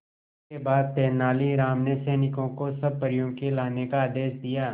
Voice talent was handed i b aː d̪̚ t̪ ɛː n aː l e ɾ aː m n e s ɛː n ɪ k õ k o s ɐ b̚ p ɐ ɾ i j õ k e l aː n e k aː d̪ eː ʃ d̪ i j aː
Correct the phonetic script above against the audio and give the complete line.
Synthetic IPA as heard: e b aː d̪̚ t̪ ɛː n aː l i ɾ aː m n e s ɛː n ɪ k õ k o s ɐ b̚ p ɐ ɾ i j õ k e l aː n e k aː d̪ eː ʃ d̪ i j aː